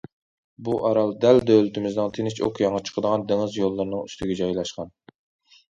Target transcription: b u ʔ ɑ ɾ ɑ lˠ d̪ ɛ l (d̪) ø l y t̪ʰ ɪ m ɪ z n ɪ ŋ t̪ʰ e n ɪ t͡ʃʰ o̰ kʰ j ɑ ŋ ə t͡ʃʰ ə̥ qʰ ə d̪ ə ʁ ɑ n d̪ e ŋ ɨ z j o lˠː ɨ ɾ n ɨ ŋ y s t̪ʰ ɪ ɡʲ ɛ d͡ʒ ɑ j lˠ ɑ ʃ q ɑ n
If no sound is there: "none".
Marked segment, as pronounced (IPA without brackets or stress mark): d̪